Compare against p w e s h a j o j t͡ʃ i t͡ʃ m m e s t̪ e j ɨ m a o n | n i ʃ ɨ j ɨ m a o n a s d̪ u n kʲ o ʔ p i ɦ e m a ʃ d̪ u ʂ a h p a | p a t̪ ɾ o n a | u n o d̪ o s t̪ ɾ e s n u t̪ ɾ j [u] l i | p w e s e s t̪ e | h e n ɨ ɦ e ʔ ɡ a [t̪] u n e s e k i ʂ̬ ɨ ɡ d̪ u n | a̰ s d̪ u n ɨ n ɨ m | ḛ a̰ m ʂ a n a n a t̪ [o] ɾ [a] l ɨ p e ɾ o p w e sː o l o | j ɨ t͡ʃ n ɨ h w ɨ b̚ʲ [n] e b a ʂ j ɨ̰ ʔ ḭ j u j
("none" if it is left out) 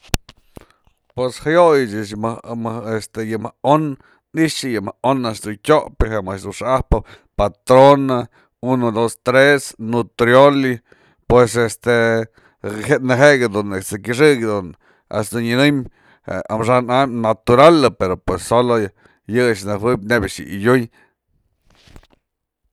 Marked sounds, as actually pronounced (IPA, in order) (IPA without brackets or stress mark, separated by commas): o, d̪, u, a, n